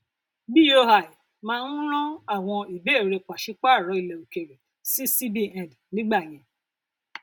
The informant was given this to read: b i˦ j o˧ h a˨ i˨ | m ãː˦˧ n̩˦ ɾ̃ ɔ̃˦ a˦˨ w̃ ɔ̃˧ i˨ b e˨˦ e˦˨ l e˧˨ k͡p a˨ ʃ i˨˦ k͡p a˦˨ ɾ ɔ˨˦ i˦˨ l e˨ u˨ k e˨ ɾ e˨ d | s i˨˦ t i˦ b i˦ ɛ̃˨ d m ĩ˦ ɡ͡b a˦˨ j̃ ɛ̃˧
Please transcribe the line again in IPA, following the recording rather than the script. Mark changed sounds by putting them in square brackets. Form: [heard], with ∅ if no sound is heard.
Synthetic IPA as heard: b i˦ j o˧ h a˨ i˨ | m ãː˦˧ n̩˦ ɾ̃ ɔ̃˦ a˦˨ w̃ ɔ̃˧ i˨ b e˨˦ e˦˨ [ɾ] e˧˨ k͡p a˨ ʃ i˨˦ k͡p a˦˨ ɾ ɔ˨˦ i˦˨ l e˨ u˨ k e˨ ɾ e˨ [∅] | s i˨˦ [s] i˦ b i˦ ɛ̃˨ d [n] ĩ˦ ɡ͡b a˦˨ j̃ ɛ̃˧

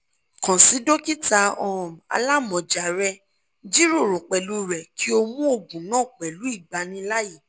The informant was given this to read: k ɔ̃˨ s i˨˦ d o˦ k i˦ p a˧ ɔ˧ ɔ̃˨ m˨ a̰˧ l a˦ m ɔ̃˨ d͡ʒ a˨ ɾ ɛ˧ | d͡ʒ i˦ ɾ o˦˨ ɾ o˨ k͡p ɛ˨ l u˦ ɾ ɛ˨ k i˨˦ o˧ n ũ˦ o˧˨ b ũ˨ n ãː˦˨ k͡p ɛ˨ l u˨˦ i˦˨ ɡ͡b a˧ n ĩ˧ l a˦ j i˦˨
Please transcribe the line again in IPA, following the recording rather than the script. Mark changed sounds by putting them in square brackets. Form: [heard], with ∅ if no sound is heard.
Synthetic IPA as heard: k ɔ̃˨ s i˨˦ d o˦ k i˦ [t] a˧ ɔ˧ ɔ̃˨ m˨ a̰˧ l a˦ m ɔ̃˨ d͡ʒ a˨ ɾ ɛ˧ | d͡ʒ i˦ ɾ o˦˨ ɾ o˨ k͡p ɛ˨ l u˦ ɾ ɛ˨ k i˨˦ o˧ [m] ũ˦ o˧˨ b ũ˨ n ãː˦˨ k͡p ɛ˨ l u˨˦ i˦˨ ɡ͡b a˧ n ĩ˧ l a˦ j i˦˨

